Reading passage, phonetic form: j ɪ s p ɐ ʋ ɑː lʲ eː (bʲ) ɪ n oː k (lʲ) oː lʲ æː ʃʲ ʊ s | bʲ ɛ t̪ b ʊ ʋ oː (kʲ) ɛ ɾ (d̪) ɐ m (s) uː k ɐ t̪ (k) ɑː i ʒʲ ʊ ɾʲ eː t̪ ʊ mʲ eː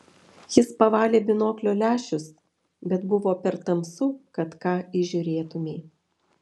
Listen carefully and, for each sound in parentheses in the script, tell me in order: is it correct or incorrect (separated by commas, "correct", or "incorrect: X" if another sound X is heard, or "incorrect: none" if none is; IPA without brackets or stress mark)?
correct, correct, incorrect: pʲ, incorrect: t̪, correct, correct